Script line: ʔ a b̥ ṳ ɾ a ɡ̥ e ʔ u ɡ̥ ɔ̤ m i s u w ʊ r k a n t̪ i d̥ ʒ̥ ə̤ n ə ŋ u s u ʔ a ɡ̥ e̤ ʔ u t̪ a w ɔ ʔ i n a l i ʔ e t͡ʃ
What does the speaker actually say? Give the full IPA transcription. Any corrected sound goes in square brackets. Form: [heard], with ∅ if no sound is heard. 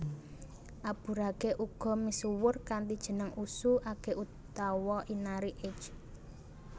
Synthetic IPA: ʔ a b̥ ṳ ɾ a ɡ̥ e ʔ u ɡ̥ ɔ̤ m i s u w ʊ r k a n t̪ i d̥ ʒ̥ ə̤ n ə ŋ u s u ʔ a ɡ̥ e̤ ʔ u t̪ a w ɔ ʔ i n a [ɾ] i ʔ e t͡ʃ